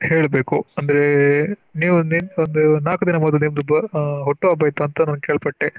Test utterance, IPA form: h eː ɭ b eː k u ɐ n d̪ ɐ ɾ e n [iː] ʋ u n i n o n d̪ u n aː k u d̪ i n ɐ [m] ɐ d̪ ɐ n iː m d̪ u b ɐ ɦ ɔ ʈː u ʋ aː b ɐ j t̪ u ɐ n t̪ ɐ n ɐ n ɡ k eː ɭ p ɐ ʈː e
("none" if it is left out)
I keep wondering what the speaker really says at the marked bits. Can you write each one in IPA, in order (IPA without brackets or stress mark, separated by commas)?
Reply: iː, m